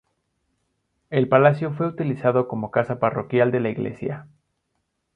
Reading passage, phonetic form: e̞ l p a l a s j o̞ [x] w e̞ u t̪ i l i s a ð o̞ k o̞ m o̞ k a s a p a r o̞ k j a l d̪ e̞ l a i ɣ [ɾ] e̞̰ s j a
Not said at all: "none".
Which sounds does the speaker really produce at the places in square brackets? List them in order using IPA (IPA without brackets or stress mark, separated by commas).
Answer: f, l